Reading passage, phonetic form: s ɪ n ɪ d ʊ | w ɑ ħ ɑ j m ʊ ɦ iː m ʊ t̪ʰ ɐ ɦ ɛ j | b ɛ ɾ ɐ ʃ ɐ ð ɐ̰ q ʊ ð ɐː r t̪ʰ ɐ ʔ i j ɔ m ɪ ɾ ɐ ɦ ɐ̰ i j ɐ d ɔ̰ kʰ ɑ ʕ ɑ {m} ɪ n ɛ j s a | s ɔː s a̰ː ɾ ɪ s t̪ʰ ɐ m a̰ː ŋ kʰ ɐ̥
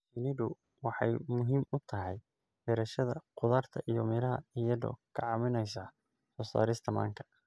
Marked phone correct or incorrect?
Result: correct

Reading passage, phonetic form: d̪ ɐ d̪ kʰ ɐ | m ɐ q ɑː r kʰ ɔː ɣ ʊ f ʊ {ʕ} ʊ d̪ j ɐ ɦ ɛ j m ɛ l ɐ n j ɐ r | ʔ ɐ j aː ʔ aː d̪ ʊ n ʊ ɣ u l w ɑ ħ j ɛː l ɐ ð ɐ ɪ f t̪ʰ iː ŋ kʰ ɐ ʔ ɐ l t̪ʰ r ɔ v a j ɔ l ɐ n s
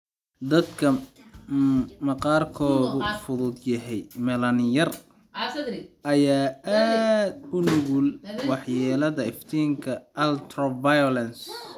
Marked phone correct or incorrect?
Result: incorrect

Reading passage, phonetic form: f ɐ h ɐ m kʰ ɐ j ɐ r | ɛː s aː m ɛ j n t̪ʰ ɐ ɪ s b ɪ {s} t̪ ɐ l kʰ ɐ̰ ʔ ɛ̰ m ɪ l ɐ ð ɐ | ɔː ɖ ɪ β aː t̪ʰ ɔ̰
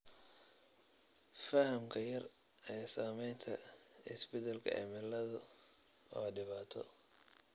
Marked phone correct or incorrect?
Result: incorrect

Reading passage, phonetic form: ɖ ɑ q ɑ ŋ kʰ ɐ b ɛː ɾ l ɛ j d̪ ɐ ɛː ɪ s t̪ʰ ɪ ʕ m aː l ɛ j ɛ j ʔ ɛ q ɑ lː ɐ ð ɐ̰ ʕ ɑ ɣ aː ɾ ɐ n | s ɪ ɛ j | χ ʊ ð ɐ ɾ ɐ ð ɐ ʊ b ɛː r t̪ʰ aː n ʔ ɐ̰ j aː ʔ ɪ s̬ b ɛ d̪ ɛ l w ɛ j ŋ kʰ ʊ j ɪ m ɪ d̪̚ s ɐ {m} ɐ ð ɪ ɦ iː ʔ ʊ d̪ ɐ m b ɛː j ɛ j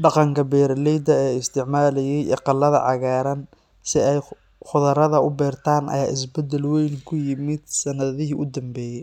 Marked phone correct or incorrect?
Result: incorrect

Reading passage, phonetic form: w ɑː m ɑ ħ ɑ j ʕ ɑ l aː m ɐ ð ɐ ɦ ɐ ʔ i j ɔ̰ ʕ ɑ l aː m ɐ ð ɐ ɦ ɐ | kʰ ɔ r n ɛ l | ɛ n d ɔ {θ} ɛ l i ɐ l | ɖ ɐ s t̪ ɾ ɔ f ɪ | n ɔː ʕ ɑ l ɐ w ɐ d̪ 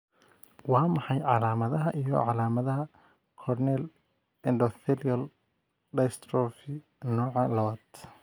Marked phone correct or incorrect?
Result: correct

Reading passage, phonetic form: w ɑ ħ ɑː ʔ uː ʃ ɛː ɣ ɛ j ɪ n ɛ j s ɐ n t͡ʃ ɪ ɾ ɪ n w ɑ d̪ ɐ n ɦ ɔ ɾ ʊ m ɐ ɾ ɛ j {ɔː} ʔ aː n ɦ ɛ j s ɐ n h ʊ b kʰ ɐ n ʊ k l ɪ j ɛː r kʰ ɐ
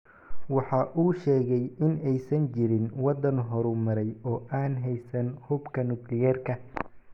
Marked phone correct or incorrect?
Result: correct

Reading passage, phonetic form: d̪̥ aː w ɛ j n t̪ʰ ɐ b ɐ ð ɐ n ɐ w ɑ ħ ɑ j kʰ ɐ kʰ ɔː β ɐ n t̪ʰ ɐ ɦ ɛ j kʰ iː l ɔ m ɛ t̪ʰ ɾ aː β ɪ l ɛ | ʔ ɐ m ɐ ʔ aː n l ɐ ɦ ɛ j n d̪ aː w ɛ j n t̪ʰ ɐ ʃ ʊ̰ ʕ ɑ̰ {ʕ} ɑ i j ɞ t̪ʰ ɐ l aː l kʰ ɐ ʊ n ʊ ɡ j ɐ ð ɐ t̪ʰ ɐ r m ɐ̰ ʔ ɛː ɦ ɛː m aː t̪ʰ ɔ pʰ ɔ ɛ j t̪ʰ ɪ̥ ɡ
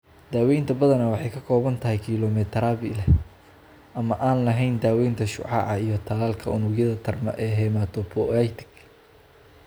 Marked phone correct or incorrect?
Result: correct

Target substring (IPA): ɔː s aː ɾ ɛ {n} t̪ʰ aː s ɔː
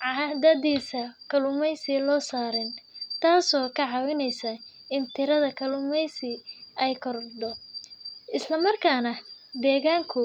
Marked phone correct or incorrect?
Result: correct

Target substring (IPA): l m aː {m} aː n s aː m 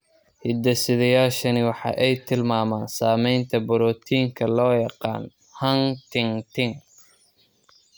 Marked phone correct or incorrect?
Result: correct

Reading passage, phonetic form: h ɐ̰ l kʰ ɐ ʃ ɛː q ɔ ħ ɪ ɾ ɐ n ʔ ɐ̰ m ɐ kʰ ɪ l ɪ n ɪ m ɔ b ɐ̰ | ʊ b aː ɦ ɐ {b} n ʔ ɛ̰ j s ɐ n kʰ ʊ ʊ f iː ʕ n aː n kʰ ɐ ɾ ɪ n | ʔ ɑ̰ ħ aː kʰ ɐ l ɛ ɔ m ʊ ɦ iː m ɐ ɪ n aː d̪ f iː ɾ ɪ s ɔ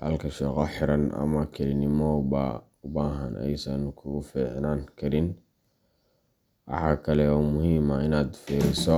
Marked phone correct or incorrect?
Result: incorrect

